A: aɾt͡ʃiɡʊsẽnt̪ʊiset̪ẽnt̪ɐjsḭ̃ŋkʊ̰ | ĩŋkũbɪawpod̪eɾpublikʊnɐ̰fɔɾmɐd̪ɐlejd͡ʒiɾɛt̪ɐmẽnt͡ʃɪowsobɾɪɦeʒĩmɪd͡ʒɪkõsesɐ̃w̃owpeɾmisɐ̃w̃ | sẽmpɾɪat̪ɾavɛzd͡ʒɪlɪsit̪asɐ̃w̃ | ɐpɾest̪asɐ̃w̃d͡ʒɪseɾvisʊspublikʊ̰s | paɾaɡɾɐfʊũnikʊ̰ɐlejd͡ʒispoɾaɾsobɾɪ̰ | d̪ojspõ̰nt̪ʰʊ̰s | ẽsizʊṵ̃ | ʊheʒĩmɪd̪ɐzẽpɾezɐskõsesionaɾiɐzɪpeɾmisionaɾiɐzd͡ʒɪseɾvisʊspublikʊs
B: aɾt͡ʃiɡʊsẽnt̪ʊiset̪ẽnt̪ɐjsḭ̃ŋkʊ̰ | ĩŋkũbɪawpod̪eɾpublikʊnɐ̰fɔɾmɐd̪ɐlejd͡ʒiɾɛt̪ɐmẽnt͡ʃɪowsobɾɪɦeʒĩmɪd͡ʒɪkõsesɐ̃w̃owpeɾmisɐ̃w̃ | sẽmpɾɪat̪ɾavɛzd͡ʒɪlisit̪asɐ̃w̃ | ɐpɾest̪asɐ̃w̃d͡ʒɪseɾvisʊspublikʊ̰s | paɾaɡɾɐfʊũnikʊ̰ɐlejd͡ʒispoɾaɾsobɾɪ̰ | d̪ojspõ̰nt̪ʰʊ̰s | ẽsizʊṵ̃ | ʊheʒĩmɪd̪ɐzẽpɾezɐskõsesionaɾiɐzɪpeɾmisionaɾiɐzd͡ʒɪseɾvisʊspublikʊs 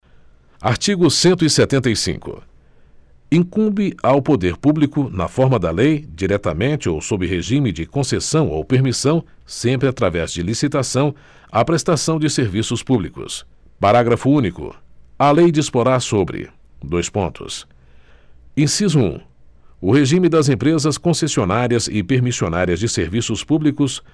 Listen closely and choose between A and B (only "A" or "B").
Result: B